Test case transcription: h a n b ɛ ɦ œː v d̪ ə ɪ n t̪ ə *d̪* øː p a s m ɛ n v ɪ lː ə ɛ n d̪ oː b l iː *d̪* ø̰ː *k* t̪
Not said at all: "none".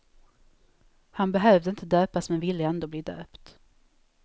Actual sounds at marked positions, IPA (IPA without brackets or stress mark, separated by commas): d̪, d̪, p